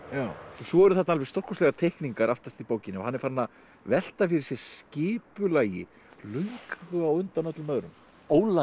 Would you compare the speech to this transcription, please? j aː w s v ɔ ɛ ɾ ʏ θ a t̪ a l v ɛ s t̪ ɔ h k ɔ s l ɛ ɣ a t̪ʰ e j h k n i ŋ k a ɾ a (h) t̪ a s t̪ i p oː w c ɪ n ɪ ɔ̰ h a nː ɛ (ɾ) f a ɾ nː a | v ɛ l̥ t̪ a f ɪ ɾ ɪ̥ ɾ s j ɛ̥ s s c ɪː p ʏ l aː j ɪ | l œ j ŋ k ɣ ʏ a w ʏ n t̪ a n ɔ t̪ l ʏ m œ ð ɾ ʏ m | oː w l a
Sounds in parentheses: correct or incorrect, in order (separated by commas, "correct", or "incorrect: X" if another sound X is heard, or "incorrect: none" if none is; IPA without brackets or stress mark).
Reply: incorrect: f, correct